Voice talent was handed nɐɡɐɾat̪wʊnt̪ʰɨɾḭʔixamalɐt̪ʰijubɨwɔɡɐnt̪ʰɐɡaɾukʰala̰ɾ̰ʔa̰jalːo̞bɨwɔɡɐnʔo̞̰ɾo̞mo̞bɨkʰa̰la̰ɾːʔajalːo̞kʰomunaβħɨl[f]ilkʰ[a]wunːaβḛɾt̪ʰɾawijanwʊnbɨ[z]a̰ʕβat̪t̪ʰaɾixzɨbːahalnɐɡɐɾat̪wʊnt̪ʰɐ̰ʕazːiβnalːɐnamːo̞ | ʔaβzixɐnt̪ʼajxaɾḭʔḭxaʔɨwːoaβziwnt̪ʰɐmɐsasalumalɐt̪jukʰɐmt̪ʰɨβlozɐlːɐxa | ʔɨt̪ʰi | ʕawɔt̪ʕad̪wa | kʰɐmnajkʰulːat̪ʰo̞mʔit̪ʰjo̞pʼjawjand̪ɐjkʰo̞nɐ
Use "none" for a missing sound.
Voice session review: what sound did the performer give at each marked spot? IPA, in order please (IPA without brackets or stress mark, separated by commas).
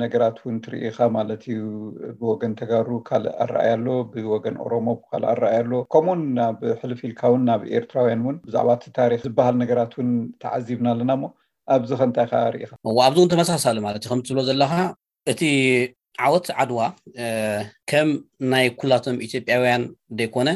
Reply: f, a, z